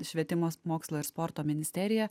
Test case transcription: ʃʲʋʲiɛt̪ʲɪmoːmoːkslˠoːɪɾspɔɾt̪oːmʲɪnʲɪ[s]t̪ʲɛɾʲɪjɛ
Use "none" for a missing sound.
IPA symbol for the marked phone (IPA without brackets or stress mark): s